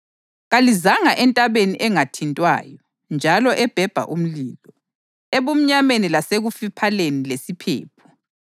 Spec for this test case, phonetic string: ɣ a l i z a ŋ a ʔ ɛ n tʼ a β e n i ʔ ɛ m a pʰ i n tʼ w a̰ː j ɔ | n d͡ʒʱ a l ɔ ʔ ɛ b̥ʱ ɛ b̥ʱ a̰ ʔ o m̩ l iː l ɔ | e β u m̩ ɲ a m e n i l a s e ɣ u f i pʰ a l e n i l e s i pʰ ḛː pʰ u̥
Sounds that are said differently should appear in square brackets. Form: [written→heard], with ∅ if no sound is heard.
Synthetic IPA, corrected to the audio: ɣ a l i z a ŋ a ʔ ɛ n tʼ a β e n i ʔ ɛ [m→ŋ] a [pʰ→tʰ] i n tʼ w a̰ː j ɔ | n d͡ʒʱ a l ɔ ʔ ɛ b̥ʱ ɛ b̥ʱ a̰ ʔ [o→u] m̩ l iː l ɔ | e β u m̩ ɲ a m e n i l a s e ɣ u f i pʰ a l e n i l e s i pʰ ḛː pʰ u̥